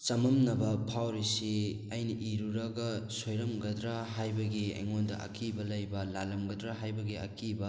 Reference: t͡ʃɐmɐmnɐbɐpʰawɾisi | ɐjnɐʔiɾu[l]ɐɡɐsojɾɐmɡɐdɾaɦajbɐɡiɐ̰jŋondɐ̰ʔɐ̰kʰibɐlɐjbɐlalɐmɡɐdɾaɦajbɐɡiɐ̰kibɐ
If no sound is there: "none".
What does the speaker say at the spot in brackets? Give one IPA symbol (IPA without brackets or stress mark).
ɾ